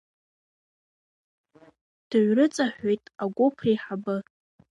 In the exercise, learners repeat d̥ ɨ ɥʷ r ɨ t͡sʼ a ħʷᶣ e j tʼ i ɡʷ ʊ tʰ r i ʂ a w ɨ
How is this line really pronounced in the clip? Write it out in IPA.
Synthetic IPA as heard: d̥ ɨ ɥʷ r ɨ t͡sʼ a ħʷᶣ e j tʼ a ɡʷ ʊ pʰ r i ħ a b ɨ